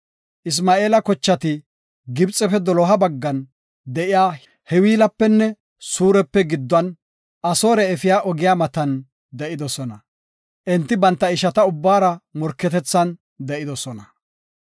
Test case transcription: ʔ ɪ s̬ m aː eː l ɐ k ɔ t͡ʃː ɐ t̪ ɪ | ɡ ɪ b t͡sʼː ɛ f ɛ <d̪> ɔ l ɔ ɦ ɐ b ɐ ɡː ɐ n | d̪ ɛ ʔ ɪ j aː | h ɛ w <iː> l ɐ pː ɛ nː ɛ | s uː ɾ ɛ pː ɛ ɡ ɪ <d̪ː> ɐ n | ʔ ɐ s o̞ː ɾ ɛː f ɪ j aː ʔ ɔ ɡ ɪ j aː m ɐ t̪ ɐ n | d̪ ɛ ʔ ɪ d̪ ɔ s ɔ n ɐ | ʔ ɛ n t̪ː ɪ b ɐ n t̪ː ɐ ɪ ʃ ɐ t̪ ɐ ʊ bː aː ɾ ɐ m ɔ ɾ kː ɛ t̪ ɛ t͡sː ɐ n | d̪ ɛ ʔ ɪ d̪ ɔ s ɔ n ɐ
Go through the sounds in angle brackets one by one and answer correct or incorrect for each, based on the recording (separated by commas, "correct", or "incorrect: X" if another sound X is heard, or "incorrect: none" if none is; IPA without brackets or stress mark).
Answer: correct, correct, correct